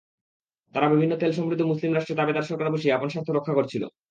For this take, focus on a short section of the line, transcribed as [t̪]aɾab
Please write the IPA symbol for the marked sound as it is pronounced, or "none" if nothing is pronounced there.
t̪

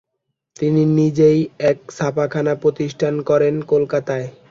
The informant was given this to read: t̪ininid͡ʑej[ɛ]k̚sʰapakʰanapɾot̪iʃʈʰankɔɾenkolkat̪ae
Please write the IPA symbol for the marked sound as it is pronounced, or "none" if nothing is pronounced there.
ɛ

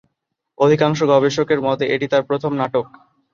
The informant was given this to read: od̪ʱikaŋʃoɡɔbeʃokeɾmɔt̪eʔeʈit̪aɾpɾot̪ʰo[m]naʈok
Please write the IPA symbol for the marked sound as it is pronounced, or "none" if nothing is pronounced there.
m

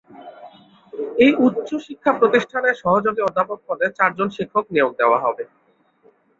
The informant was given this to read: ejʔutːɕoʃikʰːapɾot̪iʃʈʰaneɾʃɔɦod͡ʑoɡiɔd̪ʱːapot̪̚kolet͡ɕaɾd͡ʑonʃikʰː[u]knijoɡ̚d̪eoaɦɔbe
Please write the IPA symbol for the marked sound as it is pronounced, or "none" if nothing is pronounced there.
o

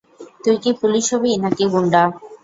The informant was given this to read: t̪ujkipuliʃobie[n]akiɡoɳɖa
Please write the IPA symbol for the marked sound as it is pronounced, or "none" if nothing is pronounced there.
n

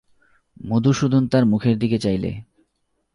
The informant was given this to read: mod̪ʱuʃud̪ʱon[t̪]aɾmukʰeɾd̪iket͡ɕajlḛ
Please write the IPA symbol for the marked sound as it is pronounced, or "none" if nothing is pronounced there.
t̪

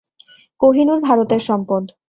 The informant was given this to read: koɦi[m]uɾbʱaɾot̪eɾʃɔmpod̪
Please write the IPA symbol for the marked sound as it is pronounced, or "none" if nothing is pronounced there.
n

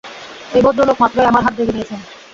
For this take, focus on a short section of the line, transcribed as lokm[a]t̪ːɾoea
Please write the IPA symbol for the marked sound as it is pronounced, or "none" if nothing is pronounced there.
a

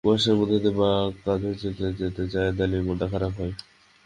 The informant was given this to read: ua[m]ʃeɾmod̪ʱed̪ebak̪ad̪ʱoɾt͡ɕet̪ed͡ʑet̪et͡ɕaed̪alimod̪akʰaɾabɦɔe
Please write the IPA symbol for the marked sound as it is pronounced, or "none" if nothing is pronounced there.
none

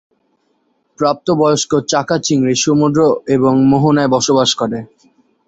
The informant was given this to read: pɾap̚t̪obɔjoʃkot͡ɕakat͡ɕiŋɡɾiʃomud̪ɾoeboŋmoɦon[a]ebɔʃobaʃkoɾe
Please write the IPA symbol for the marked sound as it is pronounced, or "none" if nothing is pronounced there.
a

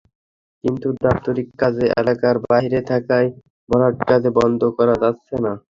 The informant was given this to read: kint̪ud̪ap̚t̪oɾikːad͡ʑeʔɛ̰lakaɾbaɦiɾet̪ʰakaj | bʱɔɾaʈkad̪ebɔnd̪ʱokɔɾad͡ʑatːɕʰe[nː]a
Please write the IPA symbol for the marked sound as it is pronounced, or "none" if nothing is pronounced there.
n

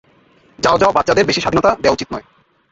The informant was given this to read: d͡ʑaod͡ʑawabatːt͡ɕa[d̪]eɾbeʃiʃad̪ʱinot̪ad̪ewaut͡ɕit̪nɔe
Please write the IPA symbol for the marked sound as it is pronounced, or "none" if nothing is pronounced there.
d̪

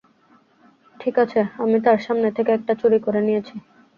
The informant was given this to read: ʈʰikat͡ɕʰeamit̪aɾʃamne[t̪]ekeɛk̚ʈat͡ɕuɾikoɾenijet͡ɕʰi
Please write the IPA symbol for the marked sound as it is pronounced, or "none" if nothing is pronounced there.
t̪ʰ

